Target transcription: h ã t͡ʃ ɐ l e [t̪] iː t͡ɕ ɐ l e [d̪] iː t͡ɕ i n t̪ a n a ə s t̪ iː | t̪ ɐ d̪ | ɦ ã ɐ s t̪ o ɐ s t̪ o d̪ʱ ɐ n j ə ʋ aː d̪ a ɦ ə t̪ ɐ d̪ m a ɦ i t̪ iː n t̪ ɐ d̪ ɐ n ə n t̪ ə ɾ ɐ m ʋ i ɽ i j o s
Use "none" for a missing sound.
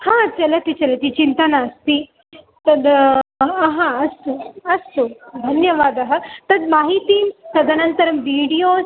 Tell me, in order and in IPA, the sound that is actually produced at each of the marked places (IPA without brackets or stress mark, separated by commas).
t̪, t̪